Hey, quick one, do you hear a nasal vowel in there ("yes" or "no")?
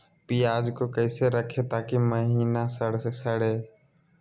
no